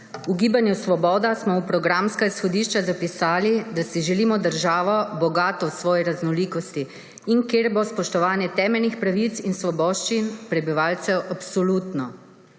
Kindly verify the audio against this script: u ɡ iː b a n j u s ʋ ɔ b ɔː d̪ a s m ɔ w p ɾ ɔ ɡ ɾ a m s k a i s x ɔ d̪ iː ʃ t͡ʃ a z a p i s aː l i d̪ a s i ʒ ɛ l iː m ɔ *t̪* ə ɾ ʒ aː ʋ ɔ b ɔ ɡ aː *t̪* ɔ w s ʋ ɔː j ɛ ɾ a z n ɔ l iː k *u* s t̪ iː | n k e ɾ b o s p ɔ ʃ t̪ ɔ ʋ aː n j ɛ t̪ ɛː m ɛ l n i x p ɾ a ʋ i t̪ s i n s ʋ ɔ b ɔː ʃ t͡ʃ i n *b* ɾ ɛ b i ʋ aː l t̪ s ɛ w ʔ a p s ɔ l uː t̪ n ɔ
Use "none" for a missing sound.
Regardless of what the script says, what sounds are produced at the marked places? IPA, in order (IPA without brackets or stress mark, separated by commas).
d̪, t̪, ɔ, p